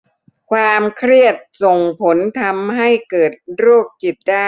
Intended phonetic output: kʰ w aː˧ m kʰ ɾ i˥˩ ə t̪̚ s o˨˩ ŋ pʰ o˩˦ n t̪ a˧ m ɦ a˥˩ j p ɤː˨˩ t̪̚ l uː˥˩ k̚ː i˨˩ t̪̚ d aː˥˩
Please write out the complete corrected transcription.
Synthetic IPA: kʰ w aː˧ m kʰ ɾ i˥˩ ə t̪̚ s o˨˩ ŋ pʰ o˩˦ n t̪ʰ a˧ m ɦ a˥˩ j k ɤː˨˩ t̪̚ ɾ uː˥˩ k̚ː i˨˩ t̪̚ d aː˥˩